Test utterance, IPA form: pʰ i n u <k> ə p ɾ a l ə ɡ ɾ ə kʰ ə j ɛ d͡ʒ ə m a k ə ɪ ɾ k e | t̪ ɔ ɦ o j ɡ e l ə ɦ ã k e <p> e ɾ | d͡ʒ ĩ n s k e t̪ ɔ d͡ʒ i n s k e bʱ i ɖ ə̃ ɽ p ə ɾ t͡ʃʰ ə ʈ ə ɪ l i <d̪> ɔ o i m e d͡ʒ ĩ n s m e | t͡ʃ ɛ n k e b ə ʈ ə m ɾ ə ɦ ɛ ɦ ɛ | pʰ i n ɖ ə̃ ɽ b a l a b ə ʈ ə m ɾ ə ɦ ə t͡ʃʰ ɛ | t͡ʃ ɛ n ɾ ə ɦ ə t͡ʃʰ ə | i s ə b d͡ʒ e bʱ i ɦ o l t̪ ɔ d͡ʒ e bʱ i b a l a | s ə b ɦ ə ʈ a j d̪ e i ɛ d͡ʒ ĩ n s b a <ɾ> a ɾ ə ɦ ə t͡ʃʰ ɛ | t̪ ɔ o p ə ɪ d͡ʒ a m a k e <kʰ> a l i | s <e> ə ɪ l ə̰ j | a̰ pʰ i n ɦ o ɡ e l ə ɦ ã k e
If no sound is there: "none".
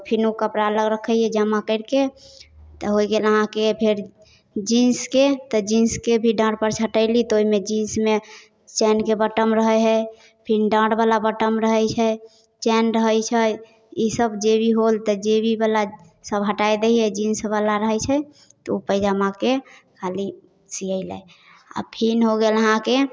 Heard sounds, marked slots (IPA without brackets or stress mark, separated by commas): k, pʰ, t̪, l, kʰ, i